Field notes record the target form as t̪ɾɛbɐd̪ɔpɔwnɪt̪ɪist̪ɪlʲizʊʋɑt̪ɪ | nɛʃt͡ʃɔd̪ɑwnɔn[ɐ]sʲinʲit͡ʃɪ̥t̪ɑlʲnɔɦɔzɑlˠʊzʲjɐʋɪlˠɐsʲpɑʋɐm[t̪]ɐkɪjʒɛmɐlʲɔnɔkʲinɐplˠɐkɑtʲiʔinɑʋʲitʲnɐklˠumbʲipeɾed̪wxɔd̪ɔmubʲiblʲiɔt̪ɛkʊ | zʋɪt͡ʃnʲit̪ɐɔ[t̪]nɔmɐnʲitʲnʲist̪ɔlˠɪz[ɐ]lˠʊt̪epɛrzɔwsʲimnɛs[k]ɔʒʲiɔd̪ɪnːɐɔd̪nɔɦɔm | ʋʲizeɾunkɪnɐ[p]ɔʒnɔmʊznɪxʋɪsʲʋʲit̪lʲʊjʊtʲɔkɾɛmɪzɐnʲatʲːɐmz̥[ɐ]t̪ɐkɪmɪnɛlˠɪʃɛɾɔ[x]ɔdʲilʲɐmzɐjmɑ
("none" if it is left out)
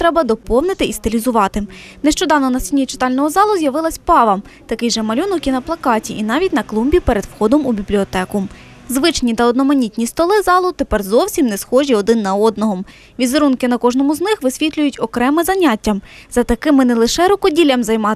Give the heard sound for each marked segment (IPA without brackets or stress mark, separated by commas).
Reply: ɐ, t̪, d̪, ɑ, x, k, ɐ, k